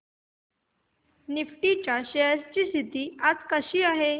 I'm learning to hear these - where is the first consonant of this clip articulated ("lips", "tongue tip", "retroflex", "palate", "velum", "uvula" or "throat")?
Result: tongue tip